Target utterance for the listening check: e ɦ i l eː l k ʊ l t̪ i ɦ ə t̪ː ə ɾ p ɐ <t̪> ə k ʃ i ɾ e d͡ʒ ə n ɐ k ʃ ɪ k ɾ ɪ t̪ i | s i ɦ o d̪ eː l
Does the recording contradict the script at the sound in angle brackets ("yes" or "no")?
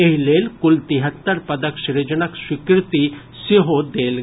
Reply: yes